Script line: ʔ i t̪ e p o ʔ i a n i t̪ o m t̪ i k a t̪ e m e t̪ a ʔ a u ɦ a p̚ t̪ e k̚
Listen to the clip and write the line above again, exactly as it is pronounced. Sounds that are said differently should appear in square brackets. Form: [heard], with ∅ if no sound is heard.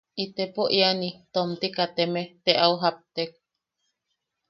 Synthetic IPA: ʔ i t̪ e p o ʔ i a n i t̪ o m t̪ i k a t̪ e m e t̪ [e] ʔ a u ɦ a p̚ t̪ e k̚